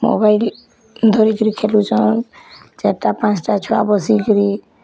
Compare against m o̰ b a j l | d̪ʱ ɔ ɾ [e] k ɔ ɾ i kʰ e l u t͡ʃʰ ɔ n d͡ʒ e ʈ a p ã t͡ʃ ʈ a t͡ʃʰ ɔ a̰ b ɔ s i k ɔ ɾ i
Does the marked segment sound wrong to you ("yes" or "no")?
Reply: yes